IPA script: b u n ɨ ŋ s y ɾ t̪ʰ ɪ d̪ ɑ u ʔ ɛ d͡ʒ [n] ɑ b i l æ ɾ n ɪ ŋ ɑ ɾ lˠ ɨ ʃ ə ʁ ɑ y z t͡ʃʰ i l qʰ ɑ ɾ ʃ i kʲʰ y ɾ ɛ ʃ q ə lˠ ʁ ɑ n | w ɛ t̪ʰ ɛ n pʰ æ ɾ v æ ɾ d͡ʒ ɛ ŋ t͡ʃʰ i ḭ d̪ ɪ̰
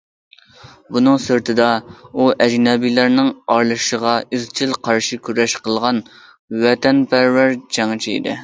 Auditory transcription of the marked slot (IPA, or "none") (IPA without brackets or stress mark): n